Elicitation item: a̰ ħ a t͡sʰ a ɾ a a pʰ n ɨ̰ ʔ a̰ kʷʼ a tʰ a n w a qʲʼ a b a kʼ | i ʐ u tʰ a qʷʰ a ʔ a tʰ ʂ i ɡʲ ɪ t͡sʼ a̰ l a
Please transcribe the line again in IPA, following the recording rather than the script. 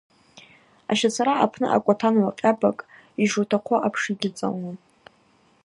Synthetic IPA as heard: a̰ ʃ a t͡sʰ a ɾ a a pʰ n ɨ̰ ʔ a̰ kʷʼ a tʰ a n w a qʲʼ a b a kʼ | i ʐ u tʰ a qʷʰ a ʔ a pʰ ʂ i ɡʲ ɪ t͡sʼ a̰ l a